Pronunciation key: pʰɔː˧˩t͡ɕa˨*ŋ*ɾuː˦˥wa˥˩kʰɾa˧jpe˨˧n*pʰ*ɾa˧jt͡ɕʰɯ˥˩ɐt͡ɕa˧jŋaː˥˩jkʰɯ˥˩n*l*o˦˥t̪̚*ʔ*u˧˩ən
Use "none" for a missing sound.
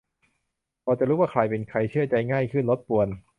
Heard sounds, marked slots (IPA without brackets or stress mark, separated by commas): none, kʰ, l, p